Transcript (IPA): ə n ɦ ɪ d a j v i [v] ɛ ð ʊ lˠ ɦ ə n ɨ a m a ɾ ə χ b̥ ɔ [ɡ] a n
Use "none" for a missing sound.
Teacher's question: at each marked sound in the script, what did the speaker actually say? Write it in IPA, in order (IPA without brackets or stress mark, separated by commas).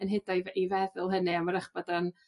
v, d